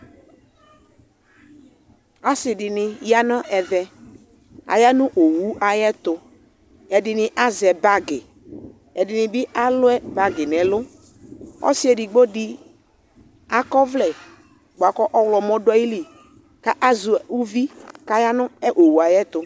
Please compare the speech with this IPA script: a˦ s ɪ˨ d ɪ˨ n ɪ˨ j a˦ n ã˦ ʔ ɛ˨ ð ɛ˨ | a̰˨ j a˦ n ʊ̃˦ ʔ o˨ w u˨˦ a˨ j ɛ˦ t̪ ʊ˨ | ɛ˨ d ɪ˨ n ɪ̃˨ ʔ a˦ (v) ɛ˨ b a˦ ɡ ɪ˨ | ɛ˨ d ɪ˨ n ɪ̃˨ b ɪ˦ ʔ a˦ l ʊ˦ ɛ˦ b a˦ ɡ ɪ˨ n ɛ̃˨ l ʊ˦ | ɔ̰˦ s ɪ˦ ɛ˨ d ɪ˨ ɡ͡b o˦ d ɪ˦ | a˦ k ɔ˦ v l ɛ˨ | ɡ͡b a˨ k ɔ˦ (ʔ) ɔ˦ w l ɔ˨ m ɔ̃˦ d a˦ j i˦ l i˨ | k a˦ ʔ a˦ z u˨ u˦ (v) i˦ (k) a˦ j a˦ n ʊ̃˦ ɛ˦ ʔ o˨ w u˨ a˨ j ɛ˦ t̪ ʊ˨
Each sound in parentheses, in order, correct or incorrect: incorrect: z, correct, correct, correct

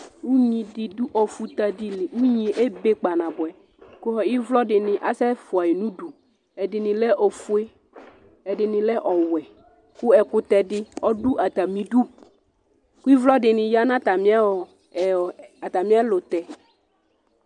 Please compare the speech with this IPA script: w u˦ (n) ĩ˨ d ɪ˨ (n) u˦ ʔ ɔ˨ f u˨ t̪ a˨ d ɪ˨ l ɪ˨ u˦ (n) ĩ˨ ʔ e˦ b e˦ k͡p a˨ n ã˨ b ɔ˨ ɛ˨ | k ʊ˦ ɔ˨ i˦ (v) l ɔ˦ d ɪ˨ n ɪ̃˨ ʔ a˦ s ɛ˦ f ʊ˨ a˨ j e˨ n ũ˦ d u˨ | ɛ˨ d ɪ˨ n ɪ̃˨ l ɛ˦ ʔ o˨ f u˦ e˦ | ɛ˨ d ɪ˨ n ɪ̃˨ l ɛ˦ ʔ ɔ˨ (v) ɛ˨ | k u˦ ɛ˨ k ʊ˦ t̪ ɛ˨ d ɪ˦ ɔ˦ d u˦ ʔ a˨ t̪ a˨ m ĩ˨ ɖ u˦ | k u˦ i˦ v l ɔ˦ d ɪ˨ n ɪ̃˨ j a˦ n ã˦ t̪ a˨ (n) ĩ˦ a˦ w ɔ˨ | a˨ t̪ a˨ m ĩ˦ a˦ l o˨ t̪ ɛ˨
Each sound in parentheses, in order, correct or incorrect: incorrect: ɲ, incorrect: d, incorrect: ɲ, correct, incorrect: w, incorrect: m

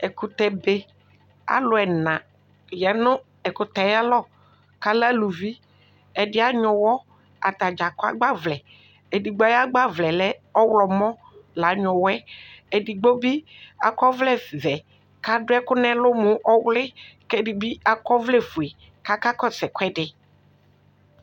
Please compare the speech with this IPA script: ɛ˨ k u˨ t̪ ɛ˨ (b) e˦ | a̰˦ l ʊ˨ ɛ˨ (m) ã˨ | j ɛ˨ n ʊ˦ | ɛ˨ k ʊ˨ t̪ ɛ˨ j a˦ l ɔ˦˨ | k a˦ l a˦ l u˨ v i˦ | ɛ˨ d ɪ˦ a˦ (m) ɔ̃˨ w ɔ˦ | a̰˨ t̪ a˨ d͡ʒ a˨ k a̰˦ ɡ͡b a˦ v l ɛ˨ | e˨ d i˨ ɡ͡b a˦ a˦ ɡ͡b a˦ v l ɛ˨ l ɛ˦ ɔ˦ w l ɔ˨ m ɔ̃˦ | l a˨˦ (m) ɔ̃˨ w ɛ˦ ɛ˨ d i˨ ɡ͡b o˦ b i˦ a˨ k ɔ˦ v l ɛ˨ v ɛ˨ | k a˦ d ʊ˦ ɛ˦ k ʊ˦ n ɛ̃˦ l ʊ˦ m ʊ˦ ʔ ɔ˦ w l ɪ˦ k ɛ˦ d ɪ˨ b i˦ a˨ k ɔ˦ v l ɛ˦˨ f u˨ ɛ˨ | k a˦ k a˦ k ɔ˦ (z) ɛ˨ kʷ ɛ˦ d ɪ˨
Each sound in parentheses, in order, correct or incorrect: correct, incorrect: n, incorrect: ɲ, incorrect: ɲ, incorrect: s

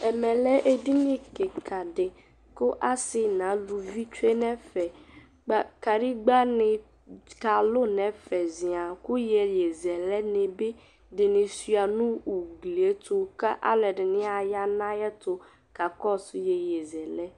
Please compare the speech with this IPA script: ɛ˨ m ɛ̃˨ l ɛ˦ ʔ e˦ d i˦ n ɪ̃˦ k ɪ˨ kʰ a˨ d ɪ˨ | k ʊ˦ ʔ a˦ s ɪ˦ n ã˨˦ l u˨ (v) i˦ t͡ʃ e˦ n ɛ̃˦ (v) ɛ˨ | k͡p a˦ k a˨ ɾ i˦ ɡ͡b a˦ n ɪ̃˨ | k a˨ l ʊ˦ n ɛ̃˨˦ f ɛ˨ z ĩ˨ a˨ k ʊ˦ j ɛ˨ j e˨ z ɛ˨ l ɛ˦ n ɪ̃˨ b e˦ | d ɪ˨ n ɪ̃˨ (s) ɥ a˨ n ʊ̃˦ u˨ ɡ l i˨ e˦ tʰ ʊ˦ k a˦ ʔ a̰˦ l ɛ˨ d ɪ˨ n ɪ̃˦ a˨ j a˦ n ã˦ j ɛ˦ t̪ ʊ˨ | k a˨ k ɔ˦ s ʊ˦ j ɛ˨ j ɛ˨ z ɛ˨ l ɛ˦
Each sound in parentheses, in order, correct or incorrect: correct, incorrect: f, correct

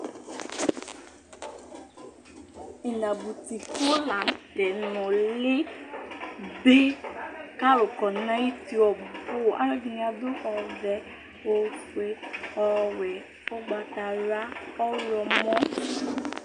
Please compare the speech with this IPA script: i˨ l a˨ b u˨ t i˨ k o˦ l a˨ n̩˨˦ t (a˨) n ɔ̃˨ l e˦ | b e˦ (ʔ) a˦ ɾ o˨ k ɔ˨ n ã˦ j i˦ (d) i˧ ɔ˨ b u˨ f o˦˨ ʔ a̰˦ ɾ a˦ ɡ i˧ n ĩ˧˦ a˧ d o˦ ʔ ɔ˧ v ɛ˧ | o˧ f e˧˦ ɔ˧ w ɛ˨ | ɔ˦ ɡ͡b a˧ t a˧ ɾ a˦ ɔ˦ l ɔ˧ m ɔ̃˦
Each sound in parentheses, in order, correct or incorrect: incorrect: ɛ˨, incorrect: k, incorrect: t

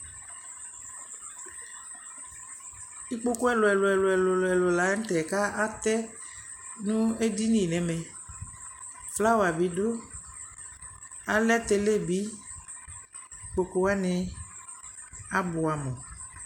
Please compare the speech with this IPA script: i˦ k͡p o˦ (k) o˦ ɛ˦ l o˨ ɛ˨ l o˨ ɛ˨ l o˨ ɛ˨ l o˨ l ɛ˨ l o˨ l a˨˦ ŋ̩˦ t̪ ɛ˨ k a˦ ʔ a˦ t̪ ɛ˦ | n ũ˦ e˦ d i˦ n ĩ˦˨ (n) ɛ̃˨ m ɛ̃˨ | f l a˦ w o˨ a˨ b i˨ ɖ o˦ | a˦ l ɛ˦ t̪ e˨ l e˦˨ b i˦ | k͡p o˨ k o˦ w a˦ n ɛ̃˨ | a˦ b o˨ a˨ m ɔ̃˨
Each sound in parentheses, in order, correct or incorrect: correct, correct

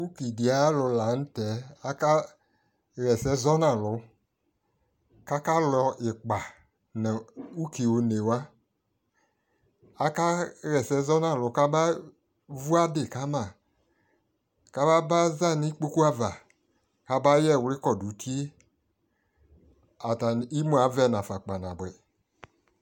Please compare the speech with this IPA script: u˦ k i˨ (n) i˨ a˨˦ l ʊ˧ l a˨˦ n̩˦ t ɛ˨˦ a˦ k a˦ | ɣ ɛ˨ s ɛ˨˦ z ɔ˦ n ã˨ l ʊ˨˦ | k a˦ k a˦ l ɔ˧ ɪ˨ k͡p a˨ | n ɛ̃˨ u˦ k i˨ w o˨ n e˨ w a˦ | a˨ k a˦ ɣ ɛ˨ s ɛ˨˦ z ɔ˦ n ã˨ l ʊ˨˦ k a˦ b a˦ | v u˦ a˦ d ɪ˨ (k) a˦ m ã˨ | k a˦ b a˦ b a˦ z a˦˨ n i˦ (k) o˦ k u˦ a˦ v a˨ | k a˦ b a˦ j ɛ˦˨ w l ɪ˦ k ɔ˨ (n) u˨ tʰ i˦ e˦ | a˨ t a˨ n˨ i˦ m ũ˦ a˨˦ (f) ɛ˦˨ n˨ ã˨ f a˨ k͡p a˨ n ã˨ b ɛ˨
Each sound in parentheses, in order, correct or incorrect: incorrect: d, correct, incorrect: k͡p, incorrect: d, incorrect: v

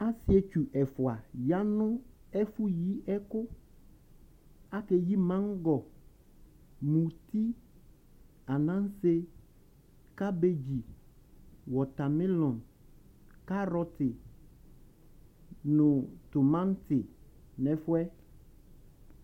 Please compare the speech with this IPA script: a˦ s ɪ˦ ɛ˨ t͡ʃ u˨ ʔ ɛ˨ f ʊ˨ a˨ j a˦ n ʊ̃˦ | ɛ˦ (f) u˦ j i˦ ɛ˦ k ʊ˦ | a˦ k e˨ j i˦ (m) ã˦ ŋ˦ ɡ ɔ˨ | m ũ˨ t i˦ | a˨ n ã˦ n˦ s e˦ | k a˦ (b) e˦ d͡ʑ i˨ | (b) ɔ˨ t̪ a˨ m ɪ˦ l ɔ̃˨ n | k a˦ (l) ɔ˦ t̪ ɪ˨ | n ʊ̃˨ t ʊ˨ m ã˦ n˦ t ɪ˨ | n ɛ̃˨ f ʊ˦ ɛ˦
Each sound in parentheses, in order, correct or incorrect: correct, correct, correct, incorrect: w, incorrect: ɾ

